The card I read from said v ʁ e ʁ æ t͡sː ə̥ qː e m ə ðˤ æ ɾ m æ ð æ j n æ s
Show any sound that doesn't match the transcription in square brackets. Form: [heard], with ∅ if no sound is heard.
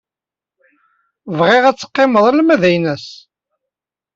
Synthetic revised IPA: v ʁ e ʁ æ t͡sː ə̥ qː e m ə ðˤ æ [l] m æ ð æ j n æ s